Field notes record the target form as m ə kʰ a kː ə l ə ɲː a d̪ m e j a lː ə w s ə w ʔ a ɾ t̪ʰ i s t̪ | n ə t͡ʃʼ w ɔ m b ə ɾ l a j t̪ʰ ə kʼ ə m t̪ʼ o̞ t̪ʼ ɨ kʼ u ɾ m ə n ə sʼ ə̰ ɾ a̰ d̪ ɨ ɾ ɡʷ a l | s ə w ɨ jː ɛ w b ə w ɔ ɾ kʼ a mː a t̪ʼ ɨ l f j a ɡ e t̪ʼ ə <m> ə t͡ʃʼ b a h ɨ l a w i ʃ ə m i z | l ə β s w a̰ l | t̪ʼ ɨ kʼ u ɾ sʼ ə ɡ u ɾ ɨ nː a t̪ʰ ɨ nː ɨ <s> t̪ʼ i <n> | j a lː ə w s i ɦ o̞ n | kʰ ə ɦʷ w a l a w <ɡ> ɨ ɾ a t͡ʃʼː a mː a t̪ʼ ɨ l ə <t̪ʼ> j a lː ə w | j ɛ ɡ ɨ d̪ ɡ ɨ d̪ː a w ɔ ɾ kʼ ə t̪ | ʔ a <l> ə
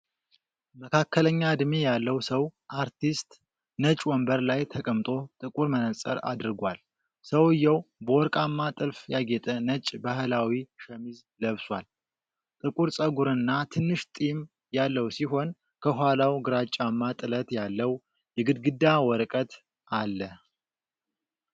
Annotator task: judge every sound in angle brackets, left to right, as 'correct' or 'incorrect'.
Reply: incorrect, incorrect, incorrect, correct, incorrect, incorrect

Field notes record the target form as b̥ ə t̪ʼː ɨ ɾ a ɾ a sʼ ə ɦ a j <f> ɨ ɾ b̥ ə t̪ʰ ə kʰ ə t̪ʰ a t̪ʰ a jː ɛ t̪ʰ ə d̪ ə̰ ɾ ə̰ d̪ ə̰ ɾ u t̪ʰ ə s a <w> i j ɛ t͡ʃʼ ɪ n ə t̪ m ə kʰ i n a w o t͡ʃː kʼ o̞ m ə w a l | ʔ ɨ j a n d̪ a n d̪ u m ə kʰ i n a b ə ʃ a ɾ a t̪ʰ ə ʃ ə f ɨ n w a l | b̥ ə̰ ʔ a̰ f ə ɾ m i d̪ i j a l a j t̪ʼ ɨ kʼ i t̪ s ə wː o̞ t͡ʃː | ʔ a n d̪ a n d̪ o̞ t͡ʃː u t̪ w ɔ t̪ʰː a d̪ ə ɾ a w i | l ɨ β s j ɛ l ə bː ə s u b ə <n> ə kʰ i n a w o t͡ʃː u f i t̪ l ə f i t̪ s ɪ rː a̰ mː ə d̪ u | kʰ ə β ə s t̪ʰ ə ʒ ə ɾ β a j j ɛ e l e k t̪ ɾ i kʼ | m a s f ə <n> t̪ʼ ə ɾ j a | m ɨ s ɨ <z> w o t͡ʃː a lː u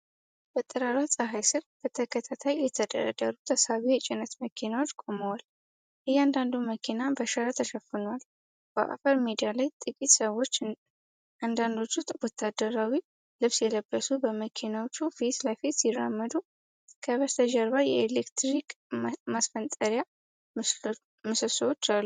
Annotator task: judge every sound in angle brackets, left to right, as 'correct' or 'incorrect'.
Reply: incorrect, incorrect, incorrect, correct, incorrect

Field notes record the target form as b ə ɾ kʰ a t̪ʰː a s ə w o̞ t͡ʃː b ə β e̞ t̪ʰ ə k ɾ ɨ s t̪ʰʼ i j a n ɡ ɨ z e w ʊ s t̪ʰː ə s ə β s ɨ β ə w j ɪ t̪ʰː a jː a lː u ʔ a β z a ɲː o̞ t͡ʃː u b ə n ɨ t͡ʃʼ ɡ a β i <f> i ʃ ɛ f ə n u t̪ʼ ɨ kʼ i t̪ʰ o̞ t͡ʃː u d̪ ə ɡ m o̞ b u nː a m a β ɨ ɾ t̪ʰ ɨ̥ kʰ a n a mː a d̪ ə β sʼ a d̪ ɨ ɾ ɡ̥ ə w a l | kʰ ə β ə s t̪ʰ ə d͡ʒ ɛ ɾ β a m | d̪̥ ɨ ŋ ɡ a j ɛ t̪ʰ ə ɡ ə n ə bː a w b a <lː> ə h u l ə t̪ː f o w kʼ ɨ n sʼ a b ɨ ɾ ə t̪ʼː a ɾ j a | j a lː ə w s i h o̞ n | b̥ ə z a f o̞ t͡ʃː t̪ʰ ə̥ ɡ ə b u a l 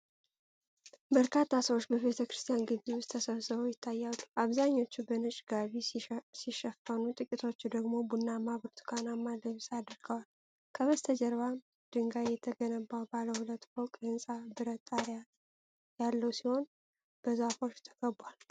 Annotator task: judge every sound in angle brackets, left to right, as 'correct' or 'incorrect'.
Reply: incorrect, incorrect

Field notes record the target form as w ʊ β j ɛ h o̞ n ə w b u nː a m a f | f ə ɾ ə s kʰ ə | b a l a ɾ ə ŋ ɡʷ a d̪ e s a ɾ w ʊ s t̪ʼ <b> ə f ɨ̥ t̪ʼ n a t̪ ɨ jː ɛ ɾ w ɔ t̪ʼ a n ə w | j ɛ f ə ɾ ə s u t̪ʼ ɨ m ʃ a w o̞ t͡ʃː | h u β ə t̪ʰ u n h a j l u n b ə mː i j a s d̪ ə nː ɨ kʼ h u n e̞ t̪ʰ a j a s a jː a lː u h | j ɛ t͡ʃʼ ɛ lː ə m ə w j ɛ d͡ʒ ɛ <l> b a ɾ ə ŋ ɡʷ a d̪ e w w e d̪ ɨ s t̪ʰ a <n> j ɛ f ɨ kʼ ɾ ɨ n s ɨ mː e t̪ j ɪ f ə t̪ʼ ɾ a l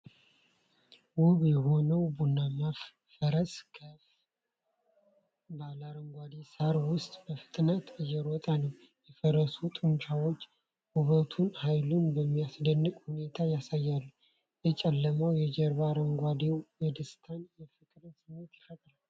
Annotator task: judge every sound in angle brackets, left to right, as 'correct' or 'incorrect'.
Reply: correct, incorrect, correct

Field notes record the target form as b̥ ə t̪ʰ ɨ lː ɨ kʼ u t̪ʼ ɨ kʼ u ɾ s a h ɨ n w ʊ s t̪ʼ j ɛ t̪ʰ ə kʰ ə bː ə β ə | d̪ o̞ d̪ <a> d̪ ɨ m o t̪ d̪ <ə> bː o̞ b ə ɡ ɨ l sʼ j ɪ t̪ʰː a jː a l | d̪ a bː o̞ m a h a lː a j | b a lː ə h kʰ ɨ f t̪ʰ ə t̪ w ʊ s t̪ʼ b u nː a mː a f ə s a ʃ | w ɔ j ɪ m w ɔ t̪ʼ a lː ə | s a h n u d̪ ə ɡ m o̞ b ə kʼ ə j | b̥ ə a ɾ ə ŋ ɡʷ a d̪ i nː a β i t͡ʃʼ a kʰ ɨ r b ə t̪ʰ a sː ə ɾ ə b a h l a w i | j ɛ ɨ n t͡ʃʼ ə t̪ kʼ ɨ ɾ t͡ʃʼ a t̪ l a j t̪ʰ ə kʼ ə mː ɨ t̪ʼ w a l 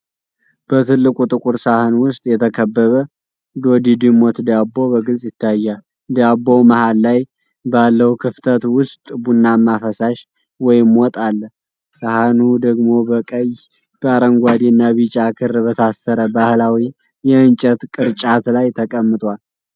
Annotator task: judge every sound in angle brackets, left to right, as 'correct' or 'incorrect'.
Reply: incorrect, incorrect

